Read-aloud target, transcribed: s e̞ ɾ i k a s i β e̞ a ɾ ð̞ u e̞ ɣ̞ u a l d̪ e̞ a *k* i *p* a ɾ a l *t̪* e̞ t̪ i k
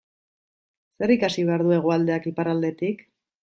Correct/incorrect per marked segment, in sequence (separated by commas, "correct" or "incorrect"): correct, correct, incorrect